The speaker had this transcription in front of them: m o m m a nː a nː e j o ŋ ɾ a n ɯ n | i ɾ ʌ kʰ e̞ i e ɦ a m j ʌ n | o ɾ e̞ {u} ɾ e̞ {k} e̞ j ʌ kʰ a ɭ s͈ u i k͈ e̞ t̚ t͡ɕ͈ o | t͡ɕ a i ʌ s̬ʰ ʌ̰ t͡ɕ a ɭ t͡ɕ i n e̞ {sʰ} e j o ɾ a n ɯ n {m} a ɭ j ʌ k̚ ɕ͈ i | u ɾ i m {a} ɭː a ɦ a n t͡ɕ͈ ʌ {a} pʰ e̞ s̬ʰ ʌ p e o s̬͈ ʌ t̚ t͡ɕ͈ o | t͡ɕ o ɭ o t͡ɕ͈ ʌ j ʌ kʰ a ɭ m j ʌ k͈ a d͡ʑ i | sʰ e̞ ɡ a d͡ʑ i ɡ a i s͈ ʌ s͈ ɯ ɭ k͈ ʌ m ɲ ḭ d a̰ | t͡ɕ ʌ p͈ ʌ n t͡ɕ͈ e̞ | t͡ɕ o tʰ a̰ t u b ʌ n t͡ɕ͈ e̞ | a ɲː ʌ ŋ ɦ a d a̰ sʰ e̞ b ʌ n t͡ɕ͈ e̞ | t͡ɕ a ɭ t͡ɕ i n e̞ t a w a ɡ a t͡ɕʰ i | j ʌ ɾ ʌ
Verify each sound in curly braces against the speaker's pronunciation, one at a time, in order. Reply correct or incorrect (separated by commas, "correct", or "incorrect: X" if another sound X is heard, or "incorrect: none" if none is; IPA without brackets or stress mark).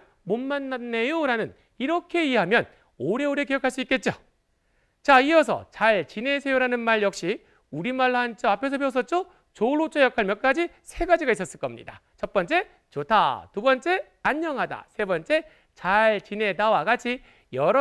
incorrect: o, correct, correct, correct, correct, correct